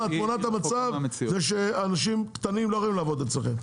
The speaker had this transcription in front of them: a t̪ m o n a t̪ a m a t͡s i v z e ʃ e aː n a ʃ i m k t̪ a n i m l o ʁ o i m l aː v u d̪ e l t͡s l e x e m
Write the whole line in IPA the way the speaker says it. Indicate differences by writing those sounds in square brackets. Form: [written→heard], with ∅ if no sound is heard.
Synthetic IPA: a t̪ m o n a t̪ a m a t͡s [i→a] v z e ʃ e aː n a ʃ i m k t̪ a n i m l o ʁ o i m l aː v [u→o] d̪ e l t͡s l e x e m